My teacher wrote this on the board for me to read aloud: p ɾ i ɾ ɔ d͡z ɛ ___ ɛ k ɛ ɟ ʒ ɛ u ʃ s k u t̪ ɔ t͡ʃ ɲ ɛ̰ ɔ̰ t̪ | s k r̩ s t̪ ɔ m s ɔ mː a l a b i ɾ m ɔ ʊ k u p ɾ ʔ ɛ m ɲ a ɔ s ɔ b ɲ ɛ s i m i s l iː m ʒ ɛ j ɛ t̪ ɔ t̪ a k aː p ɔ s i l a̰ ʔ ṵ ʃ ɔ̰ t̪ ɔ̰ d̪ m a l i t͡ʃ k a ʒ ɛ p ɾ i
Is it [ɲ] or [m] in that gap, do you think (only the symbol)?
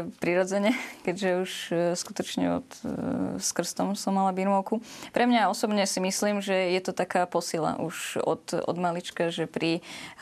ɲ